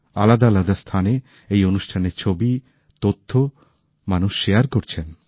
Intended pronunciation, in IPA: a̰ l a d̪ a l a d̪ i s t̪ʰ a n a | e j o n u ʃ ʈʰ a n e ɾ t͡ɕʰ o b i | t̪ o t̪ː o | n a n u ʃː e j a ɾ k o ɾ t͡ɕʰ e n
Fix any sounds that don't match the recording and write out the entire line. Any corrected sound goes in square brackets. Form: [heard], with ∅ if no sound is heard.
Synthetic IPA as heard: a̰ l a d̪ a l a d̪ [a] s t̪ʰ a n [e] | e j o n u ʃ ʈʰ a n e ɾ t͡ɕʰ o b i | t̪ o [t̪ʰː] o | [m] a n u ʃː e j a ɾ k o ɾ t͡ɕʰ e n